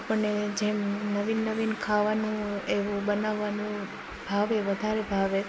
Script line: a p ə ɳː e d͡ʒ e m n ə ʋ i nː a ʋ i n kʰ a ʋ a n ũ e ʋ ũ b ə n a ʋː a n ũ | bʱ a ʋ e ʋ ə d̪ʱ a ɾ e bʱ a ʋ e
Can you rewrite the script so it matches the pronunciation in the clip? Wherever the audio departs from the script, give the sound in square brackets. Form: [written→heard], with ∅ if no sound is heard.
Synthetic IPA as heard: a p ə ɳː e d͡ʒ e m n ə ʋ i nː [a→ə] ʋ i n kʰ a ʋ a n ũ e ʋ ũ b ə n a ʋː a n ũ | bʱ a ʋ e ʋ ə d̪ʱ a ɾ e bʱ a ʋ e